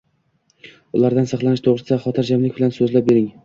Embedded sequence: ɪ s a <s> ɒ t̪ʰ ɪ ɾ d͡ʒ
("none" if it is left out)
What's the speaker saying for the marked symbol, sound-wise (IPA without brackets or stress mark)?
χ